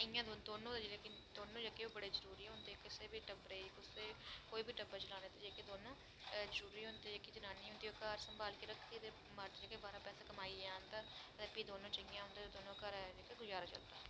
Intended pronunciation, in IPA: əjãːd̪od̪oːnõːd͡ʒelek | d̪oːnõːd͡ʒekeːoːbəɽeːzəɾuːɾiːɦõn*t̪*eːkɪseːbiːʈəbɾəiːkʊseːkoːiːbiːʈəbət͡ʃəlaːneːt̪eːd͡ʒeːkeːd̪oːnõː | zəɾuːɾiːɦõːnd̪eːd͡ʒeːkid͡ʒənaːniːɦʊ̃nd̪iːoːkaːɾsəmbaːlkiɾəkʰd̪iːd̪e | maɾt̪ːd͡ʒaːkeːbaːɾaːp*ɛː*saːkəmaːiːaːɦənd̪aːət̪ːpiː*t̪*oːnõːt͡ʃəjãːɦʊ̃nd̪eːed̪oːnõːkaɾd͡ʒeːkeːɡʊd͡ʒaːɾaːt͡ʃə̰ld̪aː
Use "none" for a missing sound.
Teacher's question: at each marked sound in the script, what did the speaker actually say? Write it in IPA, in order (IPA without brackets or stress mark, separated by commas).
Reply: d̪, ɛː, d̪